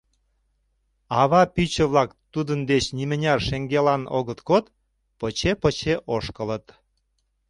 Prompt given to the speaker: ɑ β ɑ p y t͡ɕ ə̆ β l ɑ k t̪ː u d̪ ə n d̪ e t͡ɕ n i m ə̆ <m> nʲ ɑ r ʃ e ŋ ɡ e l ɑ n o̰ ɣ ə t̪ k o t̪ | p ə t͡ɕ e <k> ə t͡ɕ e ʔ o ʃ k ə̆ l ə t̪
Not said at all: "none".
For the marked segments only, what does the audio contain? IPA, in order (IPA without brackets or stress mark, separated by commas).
none, p